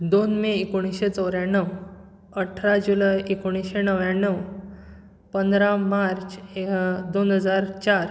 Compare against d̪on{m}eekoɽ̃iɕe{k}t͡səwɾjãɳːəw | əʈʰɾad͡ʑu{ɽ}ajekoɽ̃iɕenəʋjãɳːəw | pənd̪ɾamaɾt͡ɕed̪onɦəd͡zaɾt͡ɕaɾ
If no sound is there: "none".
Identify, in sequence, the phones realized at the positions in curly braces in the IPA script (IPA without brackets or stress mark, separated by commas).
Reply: m, none, l